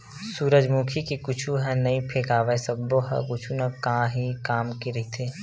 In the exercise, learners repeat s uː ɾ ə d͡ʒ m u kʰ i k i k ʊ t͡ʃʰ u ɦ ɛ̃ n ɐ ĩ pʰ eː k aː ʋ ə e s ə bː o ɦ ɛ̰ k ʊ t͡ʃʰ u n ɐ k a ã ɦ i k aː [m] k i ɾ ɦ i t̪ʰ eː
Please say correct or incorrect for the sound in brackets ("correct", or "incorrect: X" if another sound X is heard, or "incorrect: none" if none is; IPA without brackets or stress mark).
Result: correct